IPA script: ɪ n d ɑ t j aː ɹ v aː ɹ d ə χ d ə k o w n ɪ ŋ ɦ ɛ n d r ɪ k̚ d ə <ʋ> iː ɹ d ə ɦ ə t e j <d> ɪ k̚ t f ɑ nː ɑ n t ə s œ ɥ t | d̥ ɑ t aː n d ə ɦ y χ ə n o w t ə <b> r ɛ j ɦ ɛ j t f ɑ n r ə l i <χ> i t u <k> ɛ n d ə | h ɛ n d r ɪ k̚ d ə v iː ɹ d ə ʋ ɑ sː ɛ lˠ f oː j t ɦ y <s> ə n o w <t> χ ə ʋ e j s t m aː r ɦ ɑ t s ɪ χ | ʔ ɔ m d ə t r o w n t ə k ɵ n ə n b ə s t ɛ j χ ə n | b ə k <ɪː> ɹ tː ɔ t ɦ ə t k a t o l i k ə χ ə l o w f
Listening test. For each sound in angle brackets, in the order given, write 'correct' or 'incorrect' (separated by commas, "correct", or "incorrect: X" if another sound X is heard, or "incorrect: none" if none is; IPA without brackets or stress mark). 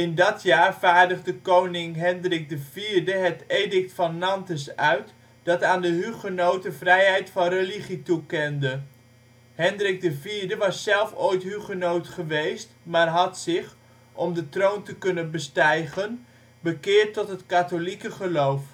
incorrect: v, correct, incorrect: v, correct, correct, incorrect: χ, correct, correct